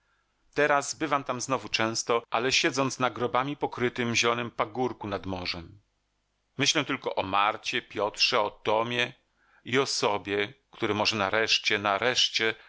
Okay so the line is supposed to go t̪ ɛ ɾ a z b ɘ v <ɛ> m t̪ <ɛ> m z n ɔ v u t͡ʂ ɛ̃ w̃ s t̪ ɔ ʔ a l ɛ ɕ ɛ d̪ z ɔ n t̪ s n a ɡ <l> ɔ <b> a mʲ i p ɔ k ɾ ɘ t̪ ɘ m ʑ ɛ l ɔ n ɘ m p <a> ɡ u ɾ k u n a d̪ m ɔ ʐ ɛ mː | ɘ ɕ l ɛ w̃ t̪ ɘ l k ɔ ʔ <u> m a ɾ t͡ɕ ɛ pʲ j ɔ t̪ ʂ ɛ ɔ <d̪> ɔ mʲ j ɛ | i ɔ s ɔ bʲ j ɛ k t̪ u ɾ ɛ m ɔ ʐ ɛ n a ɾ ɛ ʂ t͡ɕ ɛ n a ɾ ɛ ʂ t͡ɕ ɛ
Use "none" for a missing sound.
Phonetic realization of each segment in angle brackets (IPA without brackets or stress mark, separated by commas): a, a, ɾ, b, a, ɔ, t̪